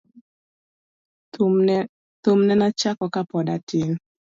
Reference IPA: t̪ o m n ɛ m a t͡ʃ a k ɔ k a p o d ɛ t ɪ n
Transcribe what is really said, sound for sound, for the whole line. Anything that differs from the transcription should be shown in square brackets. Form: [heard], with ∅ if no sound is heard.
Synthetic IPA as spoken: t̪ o m n ɛ [n] a t͡ʃ a k ɔ k a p [ɔ] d [a] t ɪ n

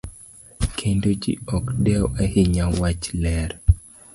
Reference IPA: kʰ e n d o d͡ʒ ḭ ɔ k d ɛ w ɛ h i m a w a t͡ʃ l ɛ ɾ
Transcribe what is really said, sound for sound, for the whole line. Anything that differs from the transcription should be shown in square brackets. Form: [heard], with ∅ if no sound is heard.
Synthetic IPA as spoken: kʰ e n d o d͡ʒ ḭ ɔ k d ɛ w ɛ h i [ɲ] a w a t͡ʃ l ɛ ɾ

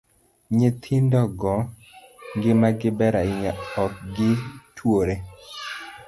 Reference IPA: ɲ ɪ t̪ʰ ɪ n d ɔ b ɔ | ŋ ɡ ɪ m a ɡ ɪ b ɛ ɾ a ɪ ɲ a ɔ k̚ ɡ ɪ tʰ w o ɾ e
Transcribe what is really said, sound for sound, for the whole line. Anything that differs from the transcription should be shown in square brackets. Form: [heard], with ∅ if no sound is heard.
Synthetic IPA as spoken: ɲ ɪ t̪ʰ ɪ n d ɔ [ɡ] ɔ | ŋ ɡ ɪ m a ɡ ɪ b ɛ ɾ a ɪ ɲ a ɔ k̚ ɡ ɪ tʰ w o ɾ e

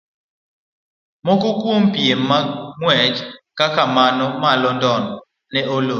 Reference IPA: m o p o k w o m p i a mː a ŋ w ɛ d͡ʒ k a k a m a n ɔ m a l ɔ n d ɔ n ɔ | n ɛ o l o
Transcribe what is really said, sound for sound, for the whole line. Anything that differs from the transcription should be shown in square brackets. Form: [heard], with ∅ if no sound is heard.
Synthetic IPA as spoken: m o [k] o k w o m p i [e] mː a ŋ w ɛ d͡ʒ k a k a m a n ɔ m a l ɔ n d ɔ n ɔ | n ɛ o l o

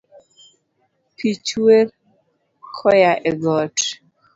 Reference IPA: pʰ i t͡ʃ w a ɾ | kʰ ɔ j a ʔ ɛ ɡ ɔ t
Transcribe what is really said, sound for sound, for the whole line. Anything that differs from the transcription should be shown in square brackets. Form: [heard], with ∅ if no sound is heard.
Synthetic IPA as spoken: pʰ i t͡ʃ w [e] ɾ | kʰ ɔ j a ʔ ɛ ɡ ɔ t

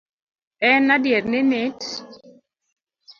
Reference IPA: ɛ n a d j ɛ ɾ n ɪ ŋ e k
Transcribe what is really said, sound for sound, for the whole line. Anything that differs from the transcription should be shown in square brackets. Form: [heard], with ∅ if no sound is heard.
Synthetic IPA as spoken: ɛ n a d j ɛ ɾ n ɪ [n] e [t]

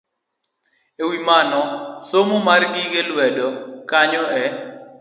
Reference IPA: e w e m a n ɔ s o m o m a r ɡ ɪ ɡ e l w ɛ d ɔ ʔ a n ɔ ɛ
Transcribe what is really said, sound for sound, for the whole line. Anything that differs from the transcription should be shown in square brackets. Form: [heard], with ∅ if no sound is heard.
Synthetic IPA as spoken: e w [i] m a n ɔ s o m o m a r ɡ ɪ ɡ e l w ɛ d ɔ [k] a [ɲ] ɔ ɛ

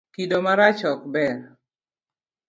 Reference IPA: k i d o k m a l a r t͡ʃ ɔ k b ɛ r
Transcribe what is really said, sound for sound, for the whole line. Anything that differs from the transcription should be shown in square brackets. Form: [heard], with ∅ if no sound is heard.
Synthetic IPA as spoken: k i d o [∅] m a [ɾ] a [∅] t͡ʃ ɔ k b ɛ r

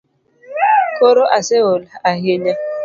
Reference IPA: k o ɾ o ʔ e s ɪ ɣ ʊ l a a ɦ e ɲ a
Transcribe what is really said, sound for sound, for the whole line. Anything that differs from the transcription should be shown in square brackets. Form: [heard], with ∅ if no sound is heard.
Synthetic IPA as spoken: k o ɾ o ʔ [a] s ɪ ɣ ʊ l a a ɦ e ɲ a

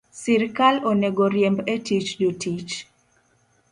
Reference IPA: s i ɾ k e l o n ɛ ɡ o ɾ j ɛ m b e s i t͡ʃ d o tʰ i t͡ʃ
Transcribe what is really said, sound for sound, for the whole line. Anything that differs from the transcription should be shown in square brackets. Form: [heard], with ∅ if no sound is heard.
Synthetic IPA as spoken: s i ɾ k [a] l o n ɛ ɡ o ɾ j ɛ m b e [t] i t͡ʃ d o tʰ i t͡ʃ

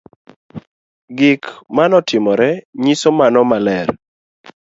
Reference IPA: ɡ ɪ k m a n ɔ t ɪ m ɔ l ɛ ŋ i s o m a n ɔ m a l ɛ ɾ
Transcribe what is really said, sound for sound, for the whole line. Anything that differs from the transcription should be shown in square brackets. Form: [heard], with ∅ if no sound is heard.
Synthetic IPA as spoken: ɡ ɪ k m a n ɔ t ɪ m ɔ [ɾ] ɛ [ɲ] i s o m a n ɔ m a l ɛ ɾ

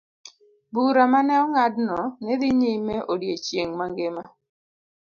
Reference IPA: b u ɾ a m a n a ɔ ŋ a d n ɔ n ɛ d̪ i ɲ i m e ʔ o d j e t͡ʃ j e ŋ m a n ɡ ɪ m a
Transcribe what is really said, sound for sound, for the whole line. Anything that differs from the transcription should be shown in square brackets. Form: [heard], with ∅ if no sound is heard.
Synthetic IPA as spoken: b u ɾ a m a n [ɛ] ɔ ŋ a d n ɔ n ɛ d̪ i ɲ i m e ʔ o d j e t͡ʃ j e ŋ m a [ŋ] ɡ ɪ m a

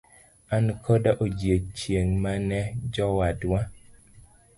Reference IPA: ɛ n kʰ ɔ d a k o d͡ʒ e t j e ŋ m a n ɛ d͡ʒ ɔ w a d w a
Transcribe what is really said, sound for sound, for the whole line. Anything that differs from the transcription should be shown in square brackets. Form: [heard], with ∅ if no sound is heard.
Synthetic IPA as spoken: [a] n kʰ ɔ d a [ʔ] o d͡ʒ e [t͡ʃ] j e ŋ m a n ɛ d͡ʒ ɔ w a d w a

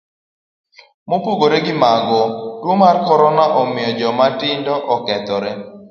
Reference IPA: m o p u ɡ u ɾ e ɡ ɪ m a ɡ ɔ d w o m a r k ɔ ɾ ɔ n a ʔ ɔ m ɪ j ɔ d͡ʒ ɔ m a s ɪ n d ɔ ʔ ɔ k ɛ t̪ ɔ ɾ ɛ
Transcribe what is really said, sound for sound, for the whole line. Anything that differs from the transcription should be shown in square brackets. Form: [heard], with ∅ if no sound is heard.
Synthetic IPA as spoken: m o p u ɡ [o] ɾ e ɡ ɪ m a ɡ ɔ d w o m a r k ɔ ɾ ɔ n a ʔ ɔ m ɪ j ɔ d͡ʒ ɔ m a [t] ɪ n d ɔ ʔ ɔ k ɛ t̪ ɔ ɾ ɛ

